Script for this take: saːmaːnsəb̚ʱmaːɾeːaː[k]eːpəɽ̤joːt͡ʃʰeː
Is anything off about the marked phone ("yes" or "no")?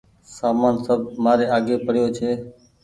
yes